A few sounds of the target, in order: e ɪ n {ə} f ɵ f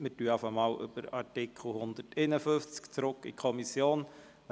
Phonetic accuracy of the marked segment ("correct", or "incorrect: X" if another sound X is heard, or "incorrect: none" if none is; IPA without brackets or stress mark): correct